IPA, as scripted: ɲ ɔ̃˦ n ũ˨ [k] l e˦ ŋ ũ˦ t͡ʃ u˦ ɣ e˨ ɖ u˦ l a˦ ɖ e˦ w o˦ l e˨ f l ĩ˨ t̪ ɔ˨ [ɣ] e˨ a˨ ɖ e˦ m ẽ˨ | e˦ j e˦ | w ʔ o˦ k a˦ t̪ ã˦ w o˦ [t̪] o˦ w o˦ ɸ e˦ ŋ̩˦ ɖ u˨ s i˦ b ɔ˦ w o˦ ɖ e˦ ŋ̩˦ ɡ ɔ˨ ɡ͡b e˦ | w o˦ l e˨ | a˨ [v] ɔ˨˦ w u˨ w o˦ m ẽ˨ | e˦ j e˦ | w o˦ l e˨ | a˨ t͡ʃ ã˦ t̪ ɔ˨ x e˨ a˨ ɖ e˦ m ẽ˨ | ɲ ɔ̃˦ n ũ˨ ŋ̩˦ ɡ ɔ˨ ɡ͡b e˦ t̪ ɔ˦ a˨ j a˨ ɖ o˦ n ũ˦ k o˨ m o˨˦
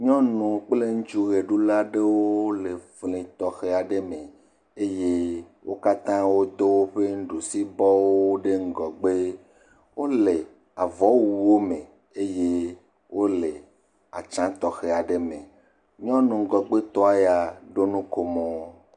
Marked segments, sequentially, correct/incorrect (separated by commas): incorrect, incorrect, incorrect, correct